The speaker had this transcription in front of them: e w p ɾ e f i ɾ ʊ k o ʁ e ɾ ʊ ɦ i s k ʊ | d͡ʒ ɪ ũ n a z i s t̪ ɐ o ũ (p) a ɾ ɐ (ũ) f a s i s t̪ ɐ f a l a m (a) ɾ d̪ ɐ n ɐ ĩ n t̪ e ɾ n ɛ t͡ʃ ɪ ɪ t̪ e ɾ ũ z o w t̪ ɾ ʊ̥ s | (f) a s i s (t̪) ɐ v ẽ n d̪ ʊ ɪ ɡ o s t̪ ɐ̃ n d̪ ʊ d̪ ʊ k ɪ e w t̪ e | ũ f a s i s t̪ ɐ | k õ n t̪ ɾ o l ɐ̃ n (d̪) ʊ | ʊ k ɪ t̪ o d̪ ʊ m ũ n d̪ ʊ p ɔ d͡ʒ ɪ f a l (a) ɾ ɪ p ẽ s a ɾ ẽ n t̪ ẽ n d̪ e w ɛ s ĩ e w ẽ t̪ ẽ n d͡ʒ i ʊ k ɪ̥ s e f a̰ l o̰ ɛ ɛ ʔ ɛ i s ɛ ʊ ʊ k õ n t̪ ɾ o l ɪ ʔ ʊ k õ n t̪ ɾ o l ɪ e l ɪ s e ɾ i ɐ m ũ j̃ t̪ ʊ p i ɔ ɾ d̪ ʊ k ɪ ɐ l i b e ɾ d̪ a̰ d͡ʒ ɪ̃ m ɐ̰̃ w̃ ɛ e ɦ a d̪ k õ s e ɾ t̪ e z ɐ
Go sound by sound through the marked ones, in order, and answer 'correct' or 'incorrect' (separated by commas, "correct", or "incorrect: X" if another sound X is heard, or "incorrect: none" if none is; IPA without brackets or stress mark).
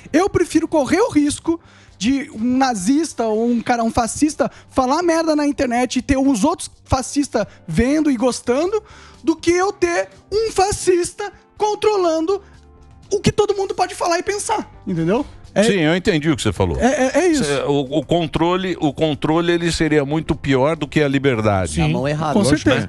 incorrect: k, correct, incorrect: ɛ, correct, correct, correct, correct